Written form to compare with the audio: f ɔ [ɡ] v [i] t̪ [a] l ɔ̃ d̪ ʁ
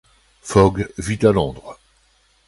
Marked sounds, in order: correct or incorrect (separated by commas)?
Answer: correct, correct, correct